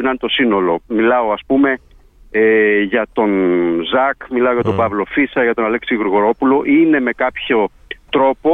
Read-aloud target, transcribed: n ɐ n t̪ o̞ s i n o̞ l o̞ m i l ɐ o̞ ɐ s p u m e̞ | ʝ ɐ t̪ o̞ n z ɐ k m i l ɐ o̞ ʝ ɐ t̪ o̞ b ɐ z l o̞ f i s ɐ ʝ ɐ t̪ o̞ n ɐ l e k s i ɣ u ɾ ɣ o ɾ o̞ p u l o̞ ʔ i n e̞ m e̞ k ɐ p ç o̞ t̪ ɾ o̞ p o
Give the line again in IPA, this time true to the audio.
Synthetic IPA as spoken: n ɐ n t̪ o̞ s i n o̞ l o̞ m i l ɐ o̞ ɐ s p u m e̞ | ʝ ɐ t̪ o̞ n z ɐ k m i l ɐ o̞ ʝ ɐ t̪ o̞ b ɐ v l o̞ f i s ɐ ʝ ɐ t̪ o̞ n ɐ l e k s i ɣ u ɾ ɣ o ɾ o̞ p u l o̞ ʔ i n e̞ m e̞ k ɐ p ç o̞ t̪ ɾ o̞ p o